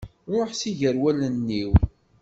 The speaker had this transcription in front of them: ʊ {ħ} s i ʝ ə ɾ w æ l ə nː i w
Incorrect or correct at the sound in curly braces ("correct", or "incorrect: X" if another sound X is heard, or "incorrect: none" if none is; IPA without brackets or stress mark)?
correct